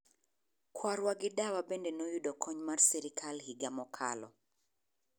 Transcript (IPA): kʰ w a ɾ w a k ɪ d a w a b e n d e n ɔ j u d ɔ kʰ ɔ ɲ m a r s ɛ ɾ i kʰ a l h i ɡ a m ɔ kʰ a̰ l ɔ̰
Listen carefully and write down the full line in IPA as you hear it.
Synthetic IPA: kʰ w a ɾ w a ɡ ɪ d a w a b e n d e n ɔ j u d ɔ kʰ ɔ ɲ m a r s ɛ ɾ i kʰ a l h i ɡ a m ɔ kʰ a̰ l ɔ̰